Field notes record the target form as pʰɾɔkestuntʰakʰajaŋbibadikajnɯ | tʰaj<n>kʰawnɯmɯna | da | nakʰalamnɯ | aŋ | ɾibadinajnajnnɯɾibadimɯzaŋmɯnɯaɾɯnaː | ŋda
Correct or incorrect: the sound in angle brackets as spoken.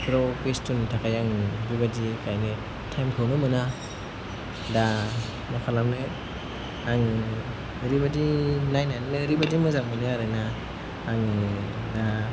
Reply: incorrect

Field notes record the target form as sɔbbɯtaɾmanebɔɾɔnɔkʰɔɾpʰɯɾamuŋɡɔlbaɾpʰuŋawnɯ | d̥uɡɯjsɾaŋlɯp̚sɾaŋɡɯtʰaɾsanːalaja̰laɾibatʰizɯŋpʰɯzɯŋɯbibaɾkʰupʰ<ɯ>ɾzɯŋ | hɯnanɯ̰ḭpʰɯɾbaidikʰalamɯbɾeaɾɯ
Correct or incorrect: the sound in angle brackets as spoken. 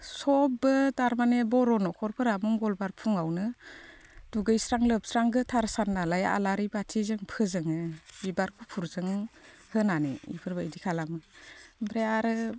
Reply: incorrect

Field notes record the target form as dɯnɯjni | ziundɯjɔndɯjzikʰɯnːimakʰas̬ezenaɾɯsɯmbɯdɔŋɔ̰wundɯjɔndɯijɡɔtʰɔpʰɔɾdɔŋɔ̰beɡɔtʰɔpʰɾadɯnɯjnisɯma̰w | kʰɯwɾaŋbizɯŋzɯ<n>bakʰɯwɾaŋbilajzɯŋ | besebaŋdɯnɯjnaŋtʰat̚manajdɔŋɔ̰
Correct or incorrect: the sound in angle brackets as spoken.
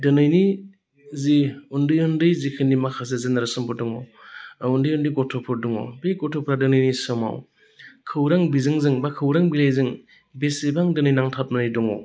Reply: incorrect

